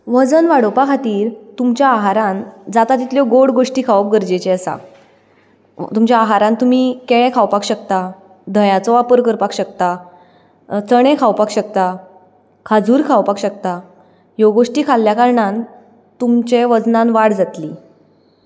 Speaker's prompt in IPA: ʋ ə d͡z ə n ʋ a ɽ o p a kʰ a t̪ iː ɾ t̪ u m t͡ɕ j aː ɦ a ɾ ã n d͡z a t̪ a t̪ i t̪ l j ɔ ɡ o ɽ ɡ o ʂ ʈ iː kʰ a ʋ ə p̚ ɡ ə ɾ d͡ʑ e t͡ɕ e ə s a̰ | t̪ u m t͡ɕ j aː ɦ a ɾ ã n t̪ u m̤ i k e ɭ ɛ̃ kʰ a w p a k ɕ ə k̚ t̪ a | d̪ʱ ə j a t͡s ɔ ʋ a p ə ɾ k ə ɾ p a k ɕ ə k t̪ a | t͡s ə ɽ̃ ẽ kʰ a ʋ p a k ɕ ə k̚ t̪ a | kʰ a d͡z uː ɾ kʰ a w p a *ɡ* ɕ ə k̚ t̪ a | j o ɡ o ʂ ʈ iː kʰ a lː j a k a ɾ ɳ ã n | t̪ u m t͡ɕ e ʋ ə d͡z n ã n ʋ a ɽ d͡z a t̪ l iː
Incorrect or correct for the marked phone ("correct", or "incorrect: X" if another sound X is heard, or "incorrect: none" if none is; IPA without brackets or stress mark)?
incorrect: k